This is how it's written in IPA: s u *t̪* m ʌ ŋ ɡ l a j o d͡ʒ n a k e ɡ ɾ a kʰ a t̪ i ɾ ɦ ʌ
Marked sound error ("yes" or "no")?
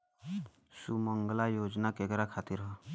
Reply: yes